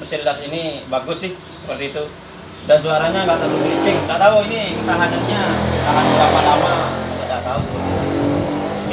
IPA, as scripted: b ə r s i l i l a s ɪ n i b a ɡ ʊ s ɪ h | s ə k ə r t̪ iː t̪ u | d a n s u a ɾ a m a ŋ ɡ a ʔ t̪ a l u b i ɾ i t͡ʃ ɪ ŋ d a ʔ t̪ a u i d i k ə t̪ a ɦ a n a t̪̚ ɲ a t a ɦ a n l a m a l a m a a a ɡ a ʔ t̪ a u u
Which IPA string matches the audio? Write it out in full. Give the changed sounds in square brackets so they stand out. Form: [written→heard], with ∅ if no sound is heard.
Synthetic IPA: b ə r s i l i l a s [ɪ→i] n i b a ɡ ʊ s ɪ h | s ə [k→p] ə r t̪ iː t̪ u | d a n s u a ɾ a [m→ɲ] a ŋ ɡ a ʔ t̪ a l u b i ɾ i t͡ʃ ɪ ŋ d a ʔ t̪ a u i [d→n] i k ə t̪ a ɦ a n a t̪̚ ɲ a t a ɦ a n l a m a l a m a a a [ɡ→d] a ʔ t̪ a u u